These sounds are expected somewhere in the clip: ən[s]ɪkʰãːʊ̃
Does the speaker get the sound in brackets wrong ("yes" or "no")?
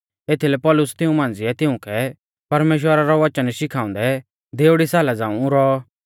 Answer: yes